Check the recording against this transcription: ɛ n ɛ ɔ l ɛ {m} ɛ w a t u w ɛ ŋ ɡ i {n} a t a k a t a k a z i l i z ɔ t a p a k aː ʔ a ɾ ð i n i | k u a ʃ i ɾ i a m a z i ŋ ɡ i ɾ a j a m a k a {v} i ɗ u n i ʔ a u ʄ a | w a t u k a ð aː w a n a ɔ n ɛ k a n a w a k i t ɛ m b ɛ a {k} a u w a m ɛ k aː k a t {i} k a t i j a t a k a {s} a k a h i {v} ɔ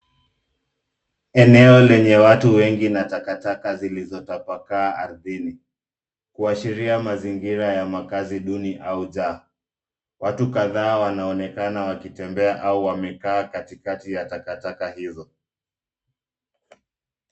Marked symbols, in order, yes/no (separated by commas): no, yes, no, no, yes, no, no